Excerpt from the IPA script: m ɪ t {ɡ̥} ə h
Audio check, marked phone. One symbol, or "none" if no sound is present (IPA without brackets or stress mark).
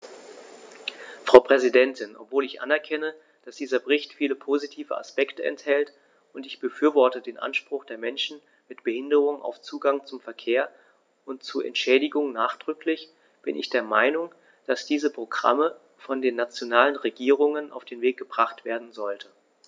b̥